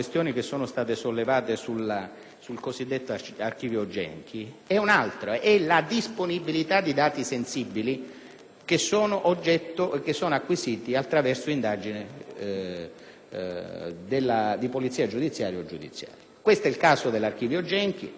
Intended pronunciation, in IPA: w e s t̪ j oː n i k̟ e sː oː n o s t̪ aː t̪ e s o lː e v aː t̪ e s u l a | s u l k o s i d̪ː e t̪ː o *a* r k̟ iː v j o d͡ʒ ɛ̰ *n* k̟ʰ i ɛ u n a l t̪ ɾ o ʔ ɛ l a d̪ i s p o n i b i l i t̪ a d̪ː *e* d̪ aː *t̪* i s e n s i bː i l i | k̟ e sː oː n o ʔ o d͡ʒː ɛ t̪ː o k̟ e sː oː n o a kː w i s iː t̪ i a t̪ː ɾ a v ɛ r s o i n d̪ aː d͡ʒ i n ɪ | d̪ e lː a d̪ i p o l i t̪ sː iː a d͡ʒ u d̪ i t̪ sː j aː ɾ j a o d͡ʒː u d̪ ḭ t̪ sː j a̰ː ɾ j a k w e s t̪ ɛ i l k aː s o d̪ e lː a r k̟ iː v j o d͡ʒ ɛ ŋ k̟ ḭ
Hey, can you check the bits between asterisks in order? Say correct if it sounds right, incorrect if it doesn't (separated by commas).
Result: correct, incorrect, incorrect, correct